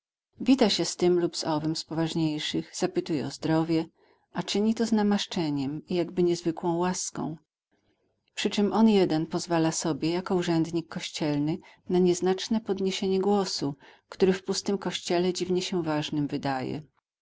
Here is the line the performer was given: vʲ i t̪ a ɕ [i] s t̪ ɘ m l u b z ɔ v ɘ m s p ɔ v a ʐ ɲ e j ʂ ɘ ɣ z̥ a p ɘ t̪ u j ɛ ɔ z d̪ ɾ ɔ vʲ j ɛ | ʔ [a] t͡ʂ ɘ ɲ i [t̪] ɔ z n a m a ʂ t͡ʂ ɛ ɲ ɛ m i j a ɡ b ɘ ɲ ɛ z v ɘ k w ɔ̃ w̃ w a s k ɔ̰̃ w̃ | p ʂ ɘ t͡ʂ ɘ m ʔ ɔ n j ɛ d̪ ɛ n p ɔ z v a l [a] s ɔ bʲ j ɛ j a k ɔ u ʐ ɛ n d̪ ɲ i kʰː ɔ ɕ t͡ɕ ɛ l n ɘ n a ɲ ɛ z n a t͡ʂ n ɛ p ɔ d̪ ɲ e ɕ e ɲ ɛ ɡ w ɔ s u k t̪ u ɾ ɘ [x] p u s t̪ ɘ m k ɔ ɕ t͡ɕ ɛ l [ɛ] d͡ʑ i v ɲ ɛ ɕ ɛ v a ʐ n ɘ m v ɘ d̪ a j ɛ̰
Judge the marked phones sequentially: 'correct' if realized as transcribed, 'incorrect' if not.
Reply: incorrect: ɛ, correct, correct, correct, incorrect: f, correct

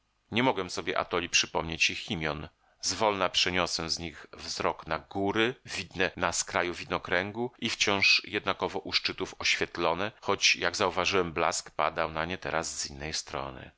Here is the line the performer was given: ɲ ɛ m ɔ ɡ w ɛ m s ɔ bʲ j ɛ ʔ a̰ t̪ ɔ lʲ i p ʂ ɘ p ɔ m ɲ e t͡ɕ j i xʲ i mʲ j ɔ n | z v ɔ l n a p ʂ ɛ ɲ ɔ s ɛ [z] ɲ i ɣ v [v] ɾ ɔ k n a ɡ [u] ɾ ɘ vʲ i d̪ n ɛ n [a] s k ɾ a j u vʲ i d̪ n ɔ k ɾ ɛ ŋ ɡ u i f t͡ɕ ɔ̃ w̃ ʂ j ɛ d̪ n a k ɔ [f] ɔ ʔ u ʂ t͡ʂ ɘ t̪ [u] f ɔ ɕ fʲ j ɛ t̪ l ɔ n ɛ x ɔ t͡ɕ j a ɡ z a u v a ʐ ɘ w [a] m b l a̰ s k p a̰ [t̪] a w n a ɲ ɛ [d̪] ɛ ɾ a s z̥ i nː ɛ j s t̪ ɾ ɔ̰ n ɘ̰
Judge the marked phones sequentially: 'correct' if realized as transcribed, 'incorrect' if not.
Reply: correct, incorrect: z, correct, correct, incorrect: v, correct, incorrect: ɛ, incorrect: d̪, incorrect: t̪

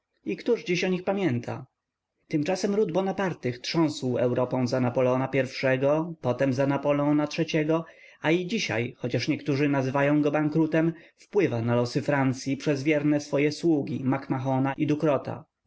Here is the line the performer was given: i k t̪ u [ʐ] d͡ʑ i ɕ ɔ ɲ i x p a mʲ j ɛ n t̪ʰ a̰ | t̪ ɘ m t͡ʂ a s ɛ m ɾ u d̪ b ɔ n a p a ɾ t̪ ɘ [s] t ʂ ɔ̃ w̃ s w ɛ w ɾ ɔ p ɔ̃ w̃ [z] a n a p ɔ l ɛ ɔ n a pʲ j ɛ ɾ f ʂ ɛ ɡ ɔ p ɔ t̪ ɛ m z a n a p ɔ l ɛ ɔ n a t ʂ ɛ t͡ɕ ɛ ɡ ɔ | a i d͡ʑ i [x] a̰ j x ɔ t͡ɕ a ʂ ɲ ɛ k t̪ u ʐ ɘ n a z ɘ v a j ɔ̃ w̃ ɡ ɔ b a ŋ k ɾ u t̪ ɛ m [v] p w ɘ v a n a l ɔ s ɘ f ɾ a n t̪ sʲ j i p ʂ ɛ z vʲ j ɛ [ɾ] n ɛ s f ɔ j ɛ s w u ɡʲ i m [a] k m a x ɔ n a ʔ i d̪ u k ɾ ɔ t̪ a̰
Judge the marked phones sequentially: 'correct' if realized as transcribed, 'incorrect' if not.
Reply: correct, incorrect: x, correct, incorrect: ɕ, incorrect: f, correct, correct

